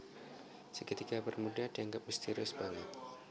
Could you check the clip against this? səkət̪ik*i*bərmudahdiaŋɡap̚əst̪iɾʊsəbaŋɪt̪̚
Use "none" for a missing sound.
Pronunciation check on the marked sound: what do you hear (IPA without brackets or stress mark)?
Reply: a